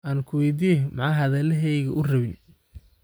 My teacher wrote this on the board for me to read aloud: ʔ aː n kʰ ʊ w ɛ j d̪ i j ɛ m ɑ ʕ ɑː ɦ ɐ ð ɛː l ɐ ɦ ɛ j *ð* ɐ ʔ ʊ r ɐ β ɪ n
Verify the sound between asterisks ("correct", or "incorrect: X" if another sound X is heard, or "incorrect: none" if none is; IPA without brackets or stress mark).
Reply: incorrect: ɣ